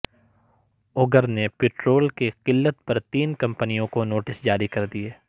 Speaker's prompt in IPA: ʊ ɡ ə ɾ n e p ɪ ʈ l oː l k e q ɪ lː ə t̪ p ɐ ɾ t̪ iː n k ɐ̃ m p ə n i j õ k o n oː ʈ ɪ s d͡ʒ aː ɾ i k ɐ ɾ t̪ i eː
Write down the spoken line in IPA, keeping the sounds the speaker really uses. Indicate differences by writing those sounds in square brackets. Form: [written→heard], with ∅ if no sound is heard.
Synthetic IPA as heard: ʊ ɡ ə ɾ n e p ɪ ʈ [l→ɾ] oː l k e q ɪ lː ə t̪ p ɐ ɾ t̪ iː n k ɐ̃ m p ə n i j õ k o n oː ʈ ɪ s d͡ʒ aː ɾ i k ɐ ɾ [t̪→d̪] i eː